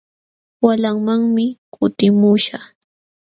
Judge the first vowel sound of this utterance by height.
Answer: low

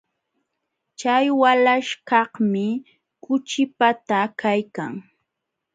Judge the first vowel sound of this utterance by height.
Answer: low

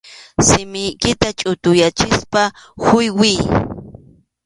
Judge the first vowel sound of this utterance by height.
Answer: high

